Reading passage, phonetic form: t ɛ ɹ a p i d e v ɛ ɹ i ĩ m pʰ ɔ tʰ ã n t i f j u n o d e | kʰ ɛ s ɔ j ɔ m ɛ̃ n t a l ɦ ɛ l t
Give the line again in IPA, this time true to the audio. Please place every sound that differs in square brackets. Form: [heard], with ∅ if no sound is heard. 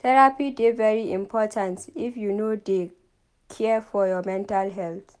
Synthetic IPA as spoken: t ɛ ɹ a p i d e v ɛ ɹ i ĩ m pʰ ɔ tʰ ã n t i f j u n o d e | kʰ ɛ [f] ɔ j ɔ m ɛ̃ n t a l ɦ ɛ l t

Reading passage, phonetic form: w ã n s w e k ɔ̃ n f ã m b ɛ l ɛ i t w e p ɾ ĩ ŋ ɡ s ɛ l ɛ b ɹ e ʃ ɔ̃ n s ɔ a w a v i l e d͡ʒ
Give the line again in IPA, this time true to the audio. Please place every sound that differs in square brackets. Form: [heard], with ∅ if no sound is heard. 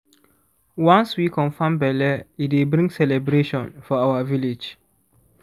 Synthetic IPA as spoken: w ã n s w [i] k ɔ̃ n f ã m b ɛ l ɛ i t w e [b] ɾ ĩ ŋ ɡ s ɛ l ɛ b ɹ e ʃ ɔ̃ n [f] ɔ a w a v i l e d͡ʒ

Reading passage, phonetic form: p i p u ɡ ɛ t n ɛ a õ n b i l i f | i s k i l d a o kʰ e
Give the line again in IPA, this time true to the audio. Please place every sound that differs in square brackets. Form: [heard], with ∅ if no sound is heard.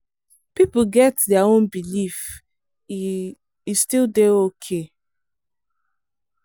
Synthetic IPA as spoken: p i p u ɡ ɛ t [d] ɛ a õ n b i l i f | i s [t] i l d [e] o kʰ e

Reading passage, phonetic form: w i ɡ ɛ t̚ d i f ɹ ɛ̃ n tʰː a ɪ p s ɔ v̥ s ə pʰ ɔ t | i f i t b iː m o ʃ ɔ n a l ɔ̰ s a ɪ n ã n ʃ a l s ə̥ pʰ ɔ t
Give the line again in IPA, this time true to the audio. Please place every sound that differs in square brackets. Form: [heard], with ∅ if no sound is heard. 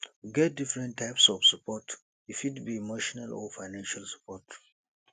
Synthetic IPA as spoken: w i ɡ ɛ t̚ d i f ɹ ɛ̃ n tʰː a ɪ p s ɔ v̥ s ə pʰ ɔ t | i f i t b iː m o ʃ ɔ n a l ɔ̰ [f] a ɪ n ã n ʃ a l s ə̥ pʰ ɔ t

